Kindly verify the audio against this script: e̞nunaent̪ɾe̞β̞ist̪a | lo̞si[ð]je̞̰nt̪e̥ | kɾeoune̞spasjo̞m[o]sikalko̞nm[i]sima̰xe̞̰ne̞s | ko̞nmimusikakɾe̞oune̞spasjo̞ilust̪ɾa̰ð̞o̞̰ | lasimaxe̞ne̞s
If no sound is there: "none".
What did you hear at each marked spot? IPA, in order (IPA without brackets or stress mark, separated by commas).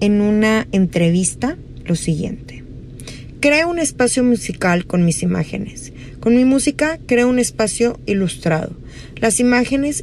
ɣ, u, i